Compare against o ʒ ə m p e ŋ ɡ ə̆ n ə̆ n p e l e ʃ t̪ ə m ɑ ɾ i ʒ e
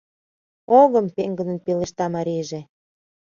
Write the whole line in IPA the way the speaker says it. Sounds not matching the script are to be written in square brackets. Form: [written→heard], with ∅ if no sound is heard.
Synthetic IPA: o [ʒ→ɣ] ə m p e ŋ ɡ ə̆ n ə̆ n p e l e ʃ t̪ [ə→ɑ] m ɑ ɾ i ʒ e